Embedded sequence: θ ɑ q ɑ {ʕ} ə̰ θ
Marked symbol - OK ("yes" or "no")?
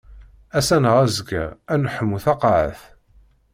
yes